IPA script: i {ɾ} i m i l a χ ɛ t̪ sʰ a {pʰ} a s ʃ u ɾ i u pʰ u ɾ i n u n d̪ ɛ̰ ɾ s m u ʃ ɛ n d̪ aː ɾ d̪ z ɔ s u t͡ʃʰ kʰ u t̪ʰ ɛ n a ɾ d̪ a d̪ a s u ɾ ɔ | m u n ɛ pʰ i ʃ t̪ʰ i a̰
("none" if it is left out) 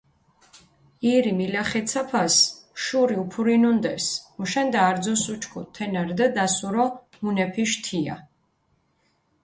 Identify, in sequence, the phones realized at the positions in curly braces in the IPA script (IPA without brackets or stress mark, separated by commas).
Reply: ɾ, pʰ